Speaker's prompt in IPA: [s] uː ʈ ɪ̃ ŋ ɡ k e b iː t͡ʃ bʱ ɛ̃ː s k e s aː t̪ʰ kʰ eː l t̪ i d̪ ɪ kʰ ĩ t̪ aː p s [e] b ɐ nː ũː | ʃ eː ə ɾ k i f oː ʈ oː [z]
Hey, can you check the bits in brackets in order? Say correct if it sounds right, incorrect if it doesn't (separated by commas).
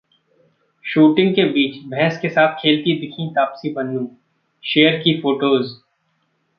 incorrect, incorrect, correct